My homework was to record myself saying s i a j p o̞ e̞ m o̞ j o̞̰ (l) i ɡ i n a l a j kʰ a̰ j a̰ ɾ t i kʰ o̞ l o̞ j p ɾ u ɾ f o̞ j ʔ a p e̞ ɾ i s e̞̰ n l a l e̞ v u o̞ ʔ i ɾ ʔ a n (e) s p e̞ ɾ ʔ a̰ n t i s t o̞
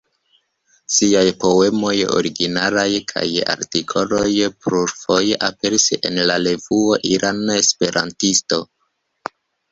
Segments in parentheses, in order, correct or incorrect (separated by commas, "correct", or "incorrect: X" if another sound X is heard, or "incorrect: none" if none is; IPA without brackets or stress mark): incorrect: ɾ, correct